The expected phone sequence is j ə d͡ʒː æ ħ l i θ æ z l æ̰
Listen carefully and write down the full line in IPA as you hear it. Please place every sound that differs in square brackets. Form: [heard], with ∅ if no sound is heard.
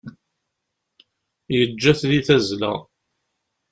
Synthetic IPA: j ə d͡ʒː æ [θ] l i θ æ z l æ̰

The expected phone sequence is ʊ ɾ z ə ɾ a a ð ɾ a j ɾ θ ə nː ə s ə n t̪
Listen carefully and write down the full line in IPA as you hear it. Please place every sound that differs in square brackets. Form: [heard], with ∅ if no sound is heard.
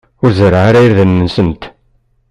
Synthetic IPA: ʊ ɾ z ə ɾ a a [∅] ɾ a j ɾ [ð] ə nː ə s ə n t̪

